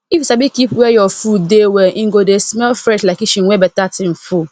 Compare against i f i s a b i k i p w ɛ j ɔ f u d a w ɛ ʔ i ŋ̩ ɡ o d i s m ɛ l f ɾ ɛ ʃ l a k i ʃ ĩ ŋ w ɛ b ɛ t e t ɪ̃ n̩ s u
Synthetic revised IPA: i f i s a b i k i p w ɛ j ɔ f u d e w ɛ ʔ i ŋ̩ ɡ o d e s m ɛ l f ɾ ɛ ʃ l a k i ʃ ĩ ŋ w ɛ b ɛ t a t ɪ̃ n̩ f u